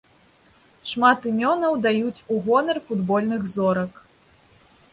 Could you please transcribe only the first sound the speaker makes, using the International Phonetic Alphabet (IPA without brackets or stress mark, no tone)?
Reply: ʂ